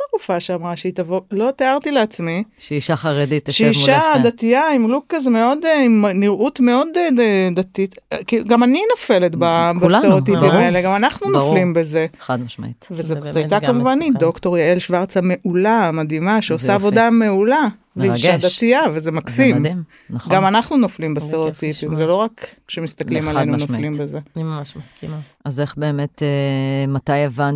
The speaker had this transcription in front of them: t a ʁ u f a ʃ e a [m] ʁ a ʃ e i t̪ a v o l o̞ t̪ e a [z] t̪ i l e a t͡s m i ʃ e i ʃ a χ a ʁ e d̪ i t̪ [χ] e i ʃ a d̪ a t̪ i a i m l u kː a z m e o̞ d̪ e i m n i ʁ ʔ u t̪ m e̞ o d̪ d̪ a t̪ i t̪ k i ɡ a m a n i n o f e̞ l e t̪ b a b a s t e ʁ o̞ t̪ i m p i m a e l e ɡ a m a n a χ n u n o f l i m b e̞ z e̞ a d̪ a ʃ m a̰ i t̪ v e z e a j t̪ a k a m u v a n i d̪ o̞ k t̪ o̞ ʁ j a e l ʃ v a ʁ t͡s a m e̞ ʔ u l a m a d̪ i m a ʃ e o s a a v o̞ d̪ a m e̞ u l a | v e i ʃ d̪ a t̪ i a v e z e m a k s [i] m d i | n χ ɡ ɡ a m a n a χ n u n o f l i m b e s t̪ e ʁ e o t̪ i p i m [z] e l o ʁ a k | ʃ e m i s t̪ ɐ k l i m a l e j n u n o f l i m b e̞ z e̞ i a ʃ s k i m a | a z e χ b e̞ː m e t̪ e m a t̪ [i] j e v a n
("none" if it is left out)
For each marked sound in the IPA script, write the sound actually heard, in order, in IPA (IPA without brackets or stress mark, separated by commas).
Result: m, ʁ, ʃ, i, z, a